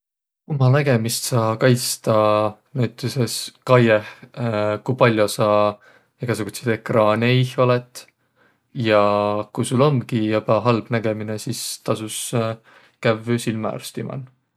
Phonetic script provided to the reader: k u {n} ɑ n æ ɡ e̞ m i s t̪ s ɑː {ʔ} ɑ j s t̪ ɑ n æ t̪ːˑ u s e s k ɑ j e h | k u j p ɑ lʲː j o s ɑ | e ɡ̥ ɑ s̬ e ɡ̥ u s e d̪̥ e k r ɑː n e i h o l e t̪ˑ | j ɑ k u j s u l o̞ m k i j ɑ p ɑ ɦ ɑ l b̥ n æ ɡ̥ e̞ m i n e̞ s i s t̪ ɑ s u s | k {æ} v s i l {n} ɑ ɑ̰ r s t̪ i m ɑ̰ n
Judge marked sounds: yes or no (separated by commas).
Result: no, no, yes, no